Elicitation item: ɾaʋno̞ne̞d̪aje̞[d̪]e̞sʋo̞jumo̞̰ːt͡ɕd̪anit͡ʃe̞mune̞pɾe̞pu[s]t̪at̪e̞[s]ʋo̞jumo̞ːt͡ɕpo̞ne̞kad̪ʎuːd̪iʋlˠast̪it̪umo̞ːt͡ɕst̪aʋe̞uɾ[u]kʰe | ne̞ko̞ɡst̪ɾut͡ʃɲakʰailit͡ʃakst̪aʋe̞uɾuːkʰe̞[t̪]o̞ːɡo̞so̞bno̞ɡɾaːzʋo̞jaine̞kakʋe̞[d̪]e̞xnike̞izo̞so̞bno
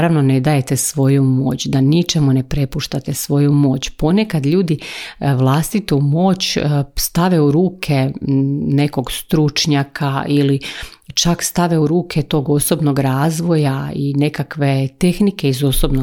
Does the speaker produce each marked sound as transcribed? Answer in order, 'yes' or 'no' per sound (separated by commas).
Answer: no, no, yes, no, yes, no